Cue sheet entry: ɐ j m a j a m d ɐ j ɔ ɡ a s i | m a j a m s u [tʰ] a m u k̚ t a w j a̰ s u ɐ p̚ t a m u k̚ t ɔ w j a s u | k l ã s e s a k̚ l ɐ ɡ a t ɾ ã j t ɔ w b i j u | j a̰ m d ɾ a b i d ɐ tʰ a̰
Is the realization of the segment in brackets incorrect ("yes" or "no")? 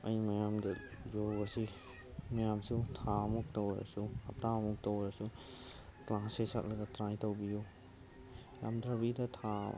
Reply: no